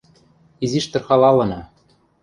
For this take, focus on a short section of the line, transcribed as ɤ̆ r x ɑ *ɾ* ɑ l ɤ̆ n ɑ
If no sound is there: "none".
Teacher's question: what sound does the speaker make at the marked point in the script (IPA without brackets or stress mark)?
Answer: l